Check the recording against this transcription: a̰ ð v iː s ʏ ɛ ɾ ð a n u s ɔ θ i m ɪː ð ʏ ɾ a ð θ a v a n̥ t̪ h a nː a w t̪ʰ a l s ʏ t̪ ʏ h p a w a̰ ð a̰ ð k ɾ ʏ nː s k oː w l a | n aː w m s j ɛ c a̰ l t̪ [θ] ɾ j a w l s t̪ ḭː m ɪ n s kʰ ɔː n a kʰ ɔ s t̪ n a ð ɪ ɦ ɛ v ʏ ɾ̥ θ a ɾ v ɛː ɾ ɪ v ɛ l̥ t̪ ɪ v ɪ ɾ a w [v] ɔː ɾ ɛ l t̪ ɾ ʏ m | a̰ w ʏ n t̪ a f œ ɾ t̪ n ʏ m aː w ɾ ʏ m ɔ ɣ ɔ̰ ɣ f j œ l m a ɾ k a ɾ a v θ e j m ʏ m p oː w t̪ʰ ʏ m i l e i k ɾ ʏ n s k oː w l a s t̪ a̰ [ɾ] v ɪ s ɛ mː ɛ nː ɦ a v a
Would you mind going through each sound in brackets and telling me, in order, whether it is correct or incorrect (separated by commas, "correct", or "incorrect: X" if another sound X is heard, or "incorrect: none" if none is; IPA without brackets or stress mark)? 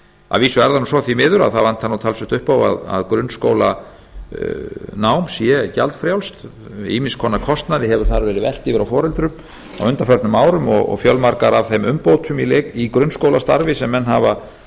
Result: incorrect: f, incorrect: f, correct